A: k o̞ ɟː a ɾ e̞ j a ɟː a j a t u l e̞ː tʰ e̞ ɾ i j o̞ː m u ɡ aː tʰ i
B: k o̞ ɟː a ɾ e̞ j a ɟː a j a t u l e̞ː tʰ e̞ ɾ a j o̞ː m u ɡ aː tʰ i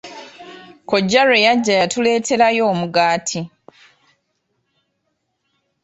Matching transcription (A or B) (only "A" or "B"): B